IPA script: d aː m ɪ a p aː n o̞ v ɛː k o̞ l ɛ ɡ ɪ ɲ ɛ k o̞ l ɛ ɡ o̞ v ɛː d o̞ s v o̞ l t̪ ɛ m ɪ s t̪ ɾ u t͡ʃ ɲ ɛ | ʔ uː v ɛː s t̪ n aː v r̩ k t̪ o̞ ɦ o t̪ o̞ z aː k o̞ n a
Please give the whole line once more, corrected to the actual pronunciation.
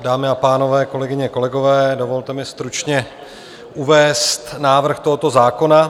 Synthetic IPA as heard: d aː m ɪ a p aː n o̞ v ɛː k o̞ l ɛ ɡ ɪ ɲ ɛ k o̞ l ɛ ɡ o̞ v ɛː d o̞ v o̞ l t̪ ɛ m ɪ s t̪ ɾ u t͡ʃ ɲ ɛ | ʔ u v ɛː s t̪ n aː v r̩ x t̪ o̞ ɦ o t̪ o̞ z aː k o̞ n a